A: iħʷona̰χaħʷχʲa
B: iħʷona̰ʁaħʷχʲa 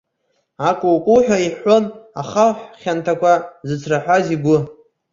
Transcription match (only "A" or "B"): A